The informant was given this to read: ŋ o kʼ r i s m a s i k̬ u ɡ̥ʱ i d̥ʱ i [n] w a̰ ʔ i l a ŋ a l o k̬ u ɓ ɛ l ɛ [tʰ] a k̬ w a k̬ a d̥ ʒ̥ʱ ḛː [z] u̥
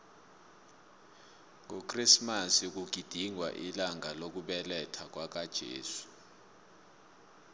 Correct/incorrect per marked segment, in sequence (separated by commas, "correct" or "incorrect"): incorrect, correct, incorrect